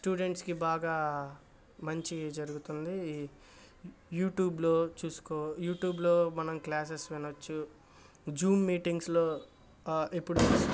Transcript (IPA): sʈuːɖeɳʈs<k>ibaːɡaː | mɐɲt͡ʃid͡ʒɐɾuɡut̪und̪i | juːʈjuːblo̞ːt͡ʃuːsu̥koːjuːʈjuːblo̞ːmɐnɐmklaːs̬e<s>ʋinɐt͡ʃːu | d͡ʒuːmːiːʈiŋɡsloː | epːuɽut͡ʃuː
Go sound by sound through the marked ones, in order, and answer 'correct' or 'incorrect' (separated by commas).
correct, correct